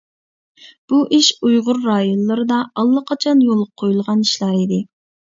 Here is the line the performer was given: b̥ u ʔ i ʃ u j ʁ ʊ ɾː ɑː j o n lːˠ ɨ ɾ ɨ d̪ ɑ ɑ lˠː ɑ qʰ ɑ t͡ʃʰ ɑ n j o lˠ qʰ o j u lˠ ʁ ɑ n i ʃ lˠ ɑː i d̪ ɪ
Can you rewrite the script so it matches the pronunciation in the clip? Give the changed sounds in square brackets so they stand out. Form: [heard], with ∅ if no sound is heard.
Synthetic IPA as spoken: b̥ u ʔ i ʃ u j ʁ ʊ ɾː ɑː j o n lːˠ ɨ ɾ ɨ d̪ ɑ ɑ lˠː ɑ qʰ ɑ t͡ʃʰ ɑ n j o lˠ qʰ o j u lˠ ʁ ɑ n i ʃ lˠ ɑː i d̪ ɪ

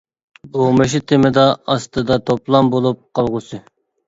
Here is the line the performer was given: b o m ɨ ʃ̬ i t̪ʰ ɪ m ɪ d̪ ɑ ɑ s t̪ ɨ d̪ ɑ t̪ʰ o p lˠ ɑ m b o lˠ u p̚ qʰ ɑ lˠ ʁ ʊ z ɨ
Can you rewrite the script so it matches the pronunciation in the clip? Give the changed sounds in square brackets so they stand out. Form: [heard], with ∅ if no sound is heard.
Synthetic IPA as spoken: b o m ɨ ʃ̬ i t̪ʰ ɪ m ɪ d̪ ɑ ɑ s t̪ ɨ d̪ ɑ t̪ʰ o p lˠ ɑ m b o lˠ u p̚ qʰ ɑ lˠ ʁ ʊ [s] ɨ

